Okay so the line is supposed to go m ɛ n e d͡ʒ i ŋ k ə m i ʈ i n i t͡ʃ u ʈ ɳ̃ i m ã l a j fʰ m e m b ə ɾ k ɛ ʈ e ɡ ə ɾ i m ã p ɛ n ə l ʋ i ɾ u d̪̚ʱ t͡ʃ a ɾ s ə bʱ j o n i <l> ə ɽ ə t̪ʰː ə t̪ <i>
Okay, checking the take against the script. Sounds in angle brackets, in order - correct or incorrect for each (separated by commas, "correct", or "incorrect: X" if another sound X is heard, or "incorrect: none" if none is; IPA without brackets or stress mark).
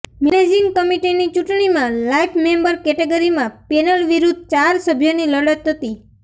correct, correct